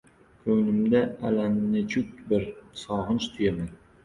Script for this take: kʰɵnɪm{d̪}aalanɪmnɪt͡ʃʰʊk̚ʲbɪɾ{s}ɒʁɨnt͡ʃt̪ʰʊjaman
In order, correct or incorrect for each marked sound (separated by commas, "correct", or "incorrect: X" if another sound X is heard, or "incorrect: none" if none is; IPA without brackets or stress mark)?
correct, correct